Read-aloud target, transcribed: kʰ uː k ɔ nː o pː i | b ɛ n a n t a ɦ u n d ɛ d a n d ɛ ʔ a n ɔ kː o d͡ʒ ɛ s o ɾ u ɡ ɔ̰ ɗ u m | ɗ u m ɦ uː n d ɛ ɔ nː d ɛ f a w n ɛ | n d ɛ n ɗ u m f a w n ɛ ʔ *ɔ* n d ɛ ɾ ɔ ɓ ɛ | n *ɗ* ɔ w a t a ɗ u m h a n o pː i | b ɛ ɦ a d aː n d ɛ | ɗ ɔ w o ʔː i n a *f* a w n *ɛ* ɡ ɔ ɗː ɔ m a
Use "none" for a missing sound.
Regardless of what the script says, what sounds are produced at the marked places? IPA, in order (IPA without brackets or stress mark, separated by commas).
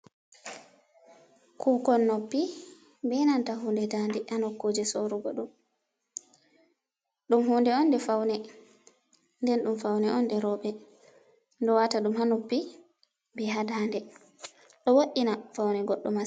ɔ, d, f, ɛ